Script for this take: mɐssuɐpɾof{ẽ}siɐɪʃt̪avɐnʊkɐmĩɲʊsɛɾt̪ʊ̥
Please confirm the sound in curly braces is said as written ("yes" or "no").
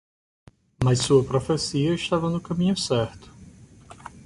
no